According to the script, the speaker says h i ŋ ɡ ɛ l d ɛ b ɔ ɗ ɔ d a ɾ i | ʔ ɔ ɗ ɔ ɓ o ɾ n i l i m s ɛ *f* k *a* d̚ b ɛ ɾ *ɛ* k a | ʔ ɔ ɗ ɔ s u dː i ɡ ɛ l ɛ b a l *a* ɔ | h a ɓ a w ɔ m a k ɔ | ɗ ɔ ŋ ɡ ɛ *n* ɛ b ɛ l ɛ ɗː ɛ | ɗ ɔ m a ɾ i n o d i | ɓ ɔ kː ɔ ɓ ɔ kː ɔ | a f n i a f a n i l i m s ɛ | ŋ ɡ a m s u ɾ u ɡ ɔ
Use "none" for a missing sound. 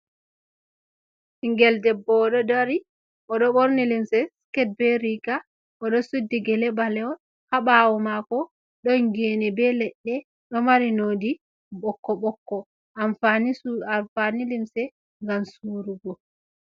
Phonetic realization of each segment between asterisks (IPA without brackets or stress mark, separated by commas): s, ɛ, i, ɛ, n